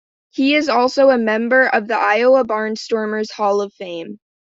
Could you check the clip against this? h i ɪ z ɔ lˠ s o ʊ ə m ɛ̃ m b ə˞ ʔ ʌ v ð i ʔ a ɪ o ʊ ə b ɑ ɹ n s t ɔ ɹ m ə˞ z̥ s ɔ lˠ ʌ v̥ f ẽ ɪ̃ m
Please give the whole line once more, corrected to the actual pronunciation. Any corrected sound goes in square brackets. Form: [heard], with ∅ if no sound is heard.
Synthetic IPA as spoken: h i ɪ z ɔ lˠ s o ʊ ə m ɛ̃ m b ə˞ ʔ ʌ v ð i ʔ a ɪ o ʊ ə b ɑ ɹ n s t ɔ ɹ m ə˞ z̥ [h] ɔ lˠ ʌ v̥ f ẽ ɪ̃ m